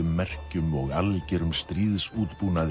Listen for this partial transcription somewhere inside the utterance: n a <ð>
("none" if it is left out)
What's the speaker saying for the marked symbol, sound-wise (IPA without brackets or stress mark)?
ð